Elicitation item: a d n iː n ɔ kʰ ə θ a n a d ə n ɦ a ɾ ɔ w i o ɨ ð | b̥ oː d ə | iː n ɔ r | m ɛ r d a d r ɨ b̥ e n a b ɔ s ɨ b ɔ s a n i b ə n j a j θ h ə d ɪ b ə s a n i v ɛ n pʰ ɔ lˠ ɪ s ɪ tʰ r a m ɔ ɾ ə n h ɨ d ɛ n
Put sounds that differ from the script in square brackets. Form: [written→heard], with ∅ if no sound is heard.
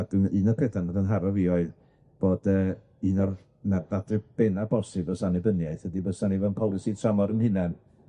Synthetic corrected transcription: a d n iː n ɔ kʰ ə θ a n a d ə n ɦ a ɾ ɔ [w→v] i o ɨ ð | b̥ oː d ə | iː n ɔ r | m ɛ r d a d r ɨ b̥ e n a b ɔ s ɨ b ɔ s a n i b ə n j a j θ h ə d [ɪ→i] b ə s a n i v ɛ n pʰ ɔ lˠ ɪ s [ɪ→i] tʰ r a m ɔ ɾ ə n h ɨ [d→n] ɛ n